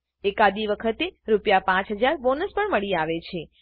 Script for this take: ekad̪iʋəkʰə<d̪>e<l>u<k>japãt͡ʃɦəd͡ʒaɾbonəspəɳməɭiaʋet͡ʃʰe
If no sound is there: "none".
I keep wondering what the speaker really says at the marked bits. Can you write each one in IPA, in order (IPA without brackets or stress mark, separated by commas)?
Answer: t̪, ɾ, p